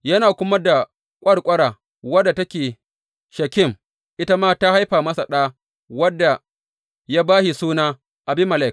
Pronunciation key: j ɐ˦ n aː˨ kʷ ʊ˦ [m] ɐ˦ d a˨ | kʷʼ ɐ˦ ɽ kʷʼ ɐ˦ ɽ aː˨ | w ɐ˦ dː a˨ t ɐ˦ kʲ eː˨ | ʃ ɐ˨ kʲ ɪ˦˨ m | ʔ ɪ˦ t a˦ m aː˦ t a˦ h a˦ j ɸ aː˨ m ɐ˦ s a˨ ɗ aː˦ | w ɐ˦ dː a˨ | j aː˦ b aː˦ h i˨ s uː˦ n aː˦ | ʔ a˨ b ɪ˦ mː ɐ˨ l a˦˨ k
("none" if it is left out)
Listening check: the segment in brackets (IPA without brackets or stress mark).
m